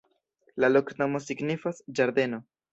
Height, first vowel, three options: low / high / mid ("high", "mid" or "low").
low